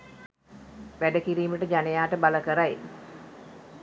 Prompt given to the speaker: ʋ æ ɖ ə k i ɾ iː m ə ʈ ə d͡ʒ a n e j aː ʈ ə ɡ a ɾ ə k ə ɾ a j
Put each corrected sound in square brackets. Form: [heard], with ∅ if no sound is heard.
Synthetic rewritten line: ʋ æ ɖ ə k i ɾ iː m ə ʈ ə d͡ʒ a n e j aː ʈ ə [b] a [l] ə k ə ɾ a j